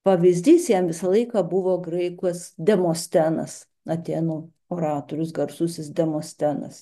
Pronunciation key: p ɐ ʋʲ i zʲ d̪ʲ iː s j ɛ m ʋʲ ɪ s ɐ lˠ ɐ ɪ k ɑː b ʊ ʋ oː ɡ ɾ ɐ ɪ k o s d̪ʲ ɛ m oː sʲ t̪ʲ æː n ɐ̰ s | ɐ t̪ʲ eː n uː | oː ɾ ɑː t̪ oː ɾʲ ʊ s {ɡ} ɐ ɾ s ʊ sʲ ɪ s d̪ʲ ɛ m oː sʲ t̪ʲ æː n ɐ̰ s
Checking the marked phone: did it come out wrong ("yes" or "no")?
no